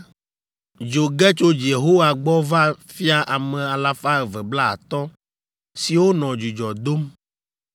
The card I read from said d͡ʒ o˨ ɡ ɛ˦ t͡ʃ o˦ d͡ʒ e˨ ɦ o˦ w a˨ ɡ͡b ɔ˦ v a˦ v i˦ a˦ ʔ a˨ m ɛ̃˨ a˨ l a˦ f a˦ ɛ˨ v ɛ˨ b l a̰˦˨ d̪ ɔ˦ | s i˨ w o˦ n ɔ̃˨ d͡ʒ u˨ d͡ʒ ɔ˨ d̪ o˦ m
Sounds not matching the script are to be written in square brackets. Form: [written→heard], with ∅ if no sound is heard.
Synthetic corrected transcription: d͡ʒ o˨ ɡ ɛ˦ t͡ʃ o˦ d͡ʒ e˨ ɦ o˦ w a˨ ɡ͡b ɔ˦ v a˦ [v→f] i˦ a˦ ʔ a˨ m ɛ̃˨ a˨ l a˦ f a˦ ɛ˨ v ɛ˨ b l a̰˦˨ [d̪→t̪] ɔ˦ | s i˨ w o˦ n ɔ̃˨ d͡ʒ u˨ d͡ʒ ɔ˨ d̪ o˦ m